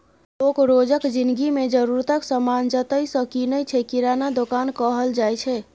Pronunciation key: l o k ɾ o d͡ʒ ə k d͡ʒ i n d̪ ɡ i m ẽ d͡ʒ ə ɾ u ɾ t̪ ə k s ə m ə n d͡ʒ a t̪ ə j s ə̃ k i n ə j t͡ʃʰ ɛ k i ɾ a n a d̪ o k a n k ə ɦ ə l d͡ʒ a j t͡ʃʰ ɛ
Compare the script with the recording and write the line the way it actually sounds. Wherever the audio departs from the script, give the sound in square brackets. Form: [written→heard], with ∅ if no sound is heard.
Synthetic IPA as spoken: l o k ɾ o d͡ʒ ə k d͡ʒ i n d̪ ɡ i m [ẽ→e] d͡ʒ ə ɾ u ɾ t̪ ə k s ə m [ə→a] n d͡ʒ [a→ə] t̪ ə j s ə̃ k i n ə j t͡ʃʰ ɛ k i ɾ a n a d̪ o k a n k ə ɦ ə l d͡ʒ a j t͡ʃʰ ɛ